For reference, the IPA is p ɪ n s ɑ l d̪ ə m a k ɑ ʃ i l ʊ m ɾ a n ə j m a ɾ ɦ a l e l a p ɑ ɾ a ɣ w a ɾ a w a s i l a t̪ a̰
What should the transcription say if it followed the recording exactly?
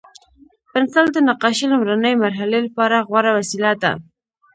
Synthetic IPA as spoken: p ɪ n s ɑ l d̪ ə n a q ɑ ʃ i l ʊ m ɾ a n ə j m a ɾ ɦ a l e l a p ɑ ɾ a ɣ w a ɾ a w a s i l a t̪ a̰